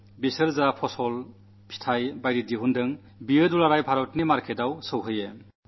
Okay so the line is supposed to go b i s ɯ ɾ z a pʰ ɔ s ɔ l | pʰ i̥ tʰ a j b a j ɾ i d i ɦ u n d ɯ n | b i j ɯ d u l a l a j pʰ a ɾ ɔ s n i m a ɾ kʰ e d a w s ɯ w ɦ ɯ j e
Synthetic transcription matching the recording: b i s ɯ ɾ z a pʰ ɔ s ɔ l | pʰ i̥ tʰ a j b a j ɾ i d i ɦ u n d ɯ ŋ | b i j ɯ d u l a ɾ a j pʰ a ɾ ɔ t n i m a ɾ kʰ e d a w s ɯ w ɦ ɯ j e